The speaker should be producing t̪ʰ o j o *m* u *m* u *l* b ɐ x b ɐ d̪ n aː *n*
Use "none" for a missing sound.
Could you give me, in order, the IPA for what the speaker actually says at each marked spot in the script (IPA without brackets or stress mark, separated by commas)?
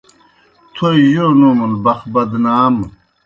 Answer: n, m, l, m